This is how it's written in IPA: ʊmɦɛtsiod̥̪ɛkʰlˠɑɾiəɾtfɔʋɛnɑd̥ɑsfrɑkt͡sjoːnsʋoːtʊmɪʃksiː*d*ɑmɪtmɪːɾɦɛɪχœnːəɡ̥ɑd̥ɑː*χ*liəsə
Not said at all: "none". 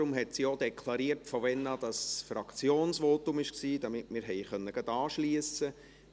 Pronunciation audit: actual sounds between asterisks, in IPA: d, ʃ

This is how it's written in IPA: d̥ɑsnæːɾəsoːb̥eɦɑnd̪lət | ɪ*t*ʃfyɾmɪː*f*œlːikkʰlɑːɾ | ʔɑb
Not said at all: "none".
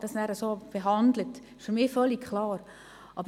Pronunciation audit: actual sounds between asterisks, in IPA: none, f

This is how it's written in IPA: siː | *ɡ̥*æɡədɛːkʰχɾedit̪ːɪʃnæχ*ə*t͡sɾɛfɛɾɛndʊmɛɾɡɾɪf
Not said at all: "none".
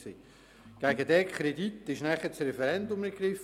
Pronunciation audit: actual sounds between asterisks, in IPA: ɡ̥, ə

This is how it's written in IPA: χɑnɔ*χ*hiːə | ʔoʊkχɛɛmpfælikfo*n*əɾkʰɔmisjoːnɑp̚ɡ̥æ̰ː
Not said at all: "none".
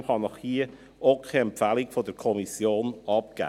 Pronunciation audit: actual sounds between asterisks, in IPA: χ, d

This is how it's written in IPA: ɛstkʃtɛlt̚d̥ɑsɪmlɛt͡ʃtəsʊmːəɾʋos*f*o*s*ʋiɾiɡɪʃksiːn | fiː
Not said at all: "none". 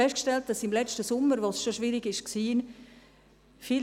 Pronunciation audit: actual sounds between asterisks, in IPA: ʃ, ʃ

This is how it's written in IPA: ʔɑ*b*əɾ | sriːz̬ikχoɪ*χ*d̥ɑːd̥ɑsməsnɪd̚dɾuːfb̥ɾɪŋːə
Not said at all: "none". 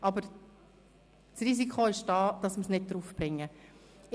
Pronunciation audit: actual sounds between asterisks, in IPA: b, ʃ

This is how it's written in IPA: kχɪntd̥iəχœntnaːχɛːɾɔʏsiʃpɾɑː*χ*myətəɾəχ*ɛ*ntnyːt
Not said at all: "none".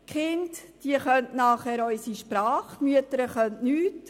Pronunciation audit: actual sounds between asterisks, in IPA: χ, œ

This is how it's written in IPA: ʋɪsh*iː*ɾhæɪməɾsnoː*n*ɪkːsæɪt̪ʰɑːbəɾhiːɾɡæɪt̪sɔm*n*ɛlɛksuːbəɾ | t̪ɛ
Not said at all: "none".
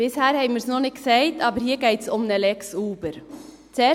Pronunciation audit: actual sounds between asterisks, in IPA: æː, n, n

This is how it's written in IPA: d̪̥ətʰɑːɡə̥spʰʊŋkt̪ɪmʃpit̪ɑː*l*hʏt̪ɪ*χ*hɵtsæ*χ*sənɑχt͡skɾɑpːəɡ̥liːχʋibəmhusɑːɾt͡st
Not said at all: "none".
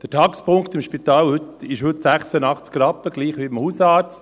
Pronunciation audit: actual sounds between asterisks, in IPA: l, ʃ, χ

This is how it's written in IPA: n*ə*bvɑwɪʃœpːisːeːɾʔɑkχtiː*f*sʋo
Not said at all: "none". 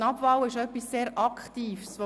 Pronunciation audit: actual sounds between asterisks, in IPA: ɑ, f

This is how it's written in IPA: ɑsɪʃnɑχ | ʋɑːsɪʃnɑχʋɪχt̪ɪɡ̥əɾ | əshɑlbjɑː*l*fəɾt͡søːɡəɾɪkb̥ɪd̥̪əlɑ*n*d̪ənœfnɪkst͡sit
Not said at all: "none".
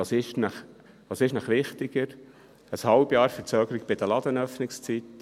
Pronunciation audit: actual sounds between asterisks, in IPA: ɾ, none

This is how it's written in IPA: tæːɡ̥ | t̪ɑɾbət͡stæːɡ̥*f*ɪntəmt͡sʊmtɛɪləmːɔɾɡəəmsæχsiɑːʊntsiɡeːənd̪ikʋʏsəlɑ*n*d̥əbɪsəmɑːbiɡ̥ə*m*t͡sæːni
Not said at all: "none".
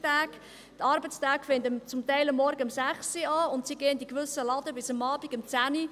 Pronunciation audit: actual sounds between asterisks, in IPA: f, none, m

